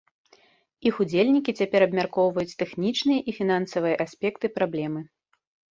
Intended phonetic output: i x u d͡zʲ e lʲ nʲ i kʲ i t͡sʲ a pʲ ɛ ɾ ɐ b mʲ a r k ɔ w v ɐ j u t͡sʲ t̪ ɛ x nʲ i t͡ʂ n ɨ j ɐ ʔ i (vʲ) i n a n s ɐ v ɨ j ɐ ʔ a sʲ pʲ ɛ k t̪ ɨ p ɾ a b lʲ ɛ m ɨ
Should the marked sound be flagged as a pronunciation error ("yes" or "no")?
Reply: yes